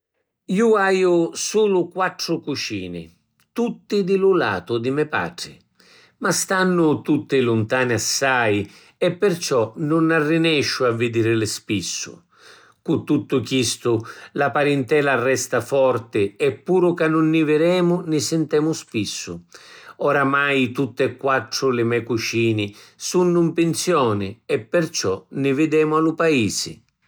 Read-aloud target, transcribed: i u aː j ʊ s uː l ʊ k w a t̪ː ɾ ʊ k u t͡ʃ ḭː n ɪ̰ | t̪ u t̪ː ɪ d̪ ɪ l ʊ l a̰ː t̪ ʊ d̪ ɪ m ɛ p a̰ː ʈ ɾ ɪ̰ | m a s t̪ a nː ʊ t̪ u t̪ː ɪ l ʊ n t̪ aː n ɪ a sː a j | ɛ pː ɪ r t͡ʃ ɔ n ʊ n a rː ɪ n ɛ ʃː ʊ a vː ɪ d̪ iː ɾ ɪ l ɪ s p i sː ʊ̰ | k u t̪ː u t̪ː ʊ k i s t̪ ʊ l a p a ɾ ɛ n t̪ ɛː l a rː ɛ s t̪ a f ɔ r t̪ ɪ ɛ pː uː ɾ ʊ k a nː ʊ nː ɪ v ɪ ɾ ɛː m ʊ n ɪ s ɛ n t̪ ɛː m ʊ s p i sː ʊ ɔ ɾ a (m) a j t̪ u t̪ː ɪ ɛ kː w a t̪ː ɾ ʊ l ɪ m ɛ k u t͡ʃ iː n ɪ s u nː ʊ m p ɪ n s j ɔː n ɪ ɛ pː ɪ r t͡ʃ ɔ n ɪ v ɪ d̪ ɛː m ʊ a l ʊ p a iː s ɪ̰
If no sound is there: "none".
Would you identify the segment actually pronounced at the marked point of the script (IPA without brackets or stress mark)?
m